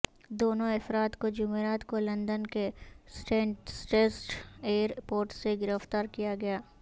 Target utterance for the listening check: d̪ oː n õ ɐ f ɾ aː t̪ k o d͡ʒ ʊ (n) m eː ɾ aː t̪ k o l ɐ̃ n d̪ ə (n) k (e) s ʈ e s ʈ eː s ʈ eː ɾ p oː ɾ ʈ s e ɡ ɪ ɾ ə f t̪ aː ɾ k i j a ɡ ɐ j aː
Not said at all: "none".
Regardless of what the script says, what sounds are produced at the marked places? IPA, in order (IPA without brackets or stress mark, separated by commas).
none, n, e